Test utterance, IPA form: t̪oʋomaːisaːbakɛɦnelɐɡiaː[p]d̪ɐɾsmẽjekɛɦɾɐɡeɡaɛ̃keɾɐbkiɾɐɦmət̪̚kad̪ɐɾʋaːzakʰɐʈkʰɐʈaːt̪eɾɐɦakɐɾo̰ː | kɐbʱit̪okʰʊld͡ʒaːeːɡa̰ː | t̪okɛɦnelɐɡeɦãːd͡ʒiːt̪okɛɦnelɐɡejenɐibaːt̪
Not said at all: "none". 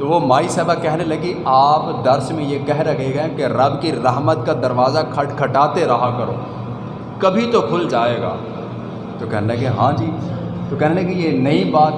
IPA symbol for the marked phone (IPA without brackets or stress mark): p